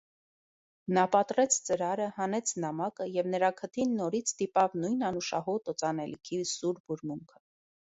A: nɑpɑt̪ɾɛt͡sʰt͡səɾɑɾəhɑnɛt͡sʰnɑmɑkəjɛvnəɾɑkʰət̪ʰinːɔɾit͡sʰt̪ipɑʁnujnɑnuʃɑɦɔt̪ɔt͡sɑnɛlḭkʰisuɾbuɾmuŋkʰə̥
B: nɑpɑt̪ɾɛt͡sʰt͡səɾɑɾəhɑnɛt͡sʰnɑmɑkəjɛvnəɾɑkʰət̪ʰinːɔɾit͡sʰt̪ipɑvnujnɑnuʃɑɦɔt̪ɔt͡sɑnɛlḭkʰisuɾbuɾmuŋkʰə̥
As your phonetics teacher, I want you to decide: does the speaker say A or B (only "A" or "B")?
B